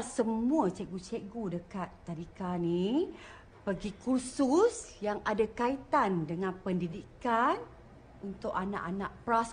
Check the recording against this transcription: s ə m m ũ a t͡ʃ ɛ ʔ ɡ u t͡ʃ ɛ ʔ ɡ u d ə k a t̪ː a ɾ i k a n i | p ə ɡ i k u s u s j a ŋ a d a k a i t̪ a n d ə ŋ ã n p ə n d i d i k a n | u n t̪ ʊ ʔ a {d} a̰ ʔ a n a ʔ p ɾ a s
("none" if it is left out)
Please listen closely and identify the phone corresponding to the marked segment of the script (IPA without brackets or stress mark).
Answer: n